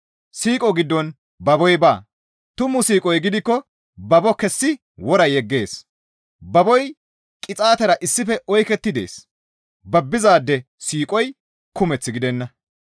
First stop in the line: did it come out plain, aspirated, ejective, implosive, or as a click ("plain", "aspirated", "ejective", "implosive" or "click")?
ejective